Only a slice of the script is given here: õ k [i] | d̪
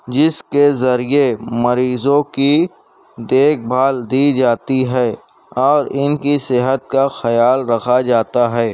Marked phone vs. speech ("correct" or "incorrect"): correct